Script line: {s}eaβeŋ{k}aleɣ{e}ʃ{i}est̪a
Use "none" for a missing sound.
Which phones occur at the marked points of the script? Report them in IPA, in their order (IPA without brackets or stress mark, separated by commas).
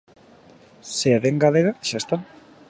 s, ɡ, a, a